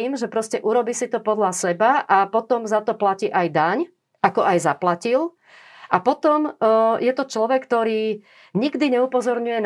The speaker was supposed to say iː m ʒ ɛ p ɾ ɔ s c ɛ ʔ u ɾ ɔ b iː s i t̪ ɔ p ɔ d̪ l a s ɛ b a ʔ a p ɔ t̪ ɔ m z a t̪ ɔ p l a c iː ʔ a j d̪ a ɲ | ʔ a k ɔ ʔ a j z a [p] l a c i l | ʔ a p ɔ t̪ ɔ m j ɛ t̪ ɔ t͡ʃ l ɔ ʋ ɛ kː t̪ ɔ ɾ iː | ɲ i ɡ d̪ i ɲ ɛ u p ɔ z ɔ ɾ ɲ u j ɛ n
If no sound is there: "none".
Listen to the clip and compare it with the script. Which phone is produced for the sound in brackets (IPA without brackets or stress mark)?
p